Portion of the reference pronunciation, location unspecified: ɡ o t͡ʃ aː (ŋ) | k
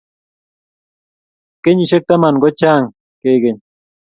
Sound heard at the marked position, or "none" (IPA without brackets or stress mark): ŋ